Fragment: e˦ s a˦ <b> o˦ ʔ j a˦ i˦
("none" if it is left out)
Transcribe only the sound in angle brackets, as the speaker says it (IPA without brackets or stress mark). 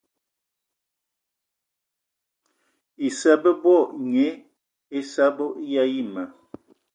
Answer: b